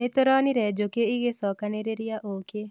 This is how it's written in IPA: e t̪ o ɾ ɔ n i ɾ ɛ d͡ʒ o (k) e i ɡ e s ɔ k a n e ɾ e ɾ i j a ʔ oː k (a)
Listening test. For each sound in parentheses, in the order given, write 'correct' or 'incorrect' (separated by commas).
correct, incorrect